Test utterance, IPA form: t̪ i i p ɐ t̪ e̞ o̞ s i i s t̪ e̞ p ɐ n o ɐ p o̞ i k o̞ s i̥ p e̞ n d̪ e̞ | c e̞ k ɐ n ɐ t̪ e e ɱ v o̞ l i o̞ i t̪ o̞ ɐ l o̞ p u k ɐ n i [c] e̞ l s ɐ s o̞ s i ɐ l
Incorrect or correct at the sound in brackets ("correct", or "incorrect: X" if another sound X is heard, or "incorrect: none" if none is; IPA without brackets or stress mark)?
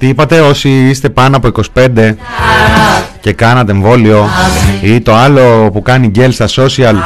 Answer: incorrect: ɟ